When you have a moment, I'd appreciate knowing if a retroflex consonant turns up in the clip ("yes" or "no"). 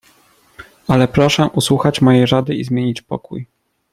yes